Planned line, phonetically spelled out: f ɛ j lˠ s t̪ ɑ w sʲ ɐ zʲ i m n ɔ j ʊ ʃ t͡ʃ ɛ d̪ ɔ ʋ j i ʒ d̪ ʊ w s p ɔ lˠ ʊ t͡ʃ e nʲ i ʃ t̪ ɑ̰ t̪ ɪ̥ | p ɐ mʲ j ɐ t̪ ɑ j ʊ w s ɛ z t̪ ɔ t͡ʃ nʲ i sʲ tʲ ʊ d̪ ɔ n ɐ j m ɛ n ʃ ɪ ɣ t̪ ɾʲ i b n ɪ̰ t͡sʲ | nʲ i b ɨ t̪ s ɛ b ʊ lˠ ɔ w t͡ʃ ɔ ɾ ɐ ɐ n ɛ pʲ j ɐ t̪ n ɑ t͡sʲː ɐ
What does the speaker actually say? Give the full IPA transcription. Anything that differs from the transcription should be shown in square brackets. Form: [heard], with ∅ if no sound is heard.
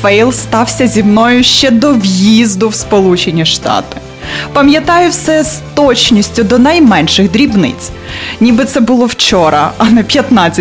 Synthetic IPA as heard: f ɛ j lˠ s t̪ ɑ w sʲ ɐ zʲ i m n ɔ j ʊ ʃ t͡ʃ ɛ d̪ ɔ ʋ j i [z] d̪ ʊ w s p ɔ lˠ [u] t͡ʃ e nʲ i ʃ t̪ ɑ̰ t̪ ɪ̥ | p ɐ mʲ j ɐ t̪ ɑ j ʊ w s ɛ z t̪ ɔ t͡ʃ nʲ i sʲ tʲ ʊ d̪ ɔ n ɐ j m ɛ n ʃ ɪ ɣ [d̪] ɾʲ i b n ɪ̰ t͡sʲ | nʲ i b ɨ t̪ s ɛ b ʊ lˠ ɔ w t͡ʃ ɔ ɾ ɐ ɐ n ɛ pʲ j ɐ t̪ n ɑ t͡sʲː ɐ